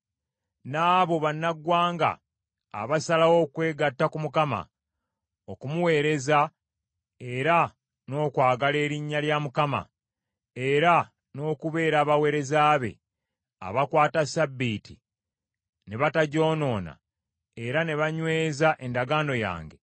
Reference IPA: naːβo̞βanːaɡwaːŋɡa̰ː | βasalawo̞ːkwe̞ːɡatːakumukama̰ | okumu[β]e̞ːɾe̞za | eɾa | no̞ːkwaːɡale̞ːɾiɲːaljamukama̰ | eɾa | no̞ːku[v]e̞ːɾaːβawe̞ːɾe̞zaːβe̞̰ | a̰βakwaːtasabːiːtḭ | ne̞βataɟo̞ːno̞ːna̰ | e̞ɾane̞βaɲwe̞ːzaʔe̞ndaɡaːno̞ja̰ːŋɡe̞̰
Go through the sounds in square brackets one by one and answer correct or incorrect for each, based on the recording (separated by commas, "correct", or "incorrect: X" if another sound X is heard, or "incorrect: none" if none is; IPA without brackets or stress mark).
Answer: incorrect: w, incorrect: β